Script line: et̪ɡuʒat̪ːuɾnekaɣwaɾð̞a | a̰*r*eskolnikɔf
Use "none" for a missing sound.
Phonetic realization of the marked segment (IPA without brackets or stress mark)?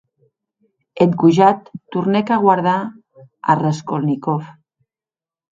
r